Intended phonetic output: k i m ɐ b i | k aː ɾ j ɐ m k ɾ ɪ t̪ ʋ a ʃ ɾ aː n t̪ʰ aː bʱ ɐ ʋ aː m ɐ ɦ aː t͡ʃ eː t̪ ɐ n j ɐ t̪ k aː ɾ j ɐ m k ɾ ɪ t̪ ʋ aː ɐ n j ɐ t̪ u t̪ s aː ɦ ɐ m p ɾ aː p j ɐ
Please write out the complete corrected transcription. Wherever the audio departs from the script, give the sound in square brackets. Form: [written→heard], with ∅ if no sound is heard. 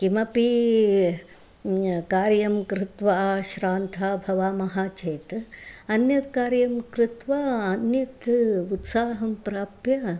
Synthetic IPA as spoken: k i m ɐ [b→p] i | k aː ɾ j ɐ m k ɾ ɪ t̪ ʋ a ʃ ɾ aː n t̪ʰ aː bʱ ɐ ʋ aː m ɐ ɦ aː t͡ʃ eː t̪ ɐ n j ɐ t̪ k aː ɾ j ɐ m k ɾ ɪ t̪ ʋ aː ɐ n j ɐ t̪ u t̪ s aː ɦ ɐ m p ɾ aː p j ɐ